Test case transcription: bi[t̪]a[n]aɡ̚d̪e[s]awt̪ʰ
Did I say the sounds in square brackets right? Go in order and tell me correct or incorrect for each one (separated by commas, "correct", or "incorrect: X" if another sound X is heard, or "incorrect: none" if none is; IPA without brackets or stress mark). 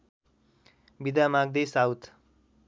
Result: incorrect: d̪, incorrect: m, correct